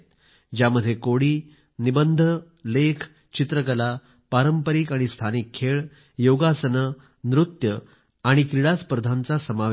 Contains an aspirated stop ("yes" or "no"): yes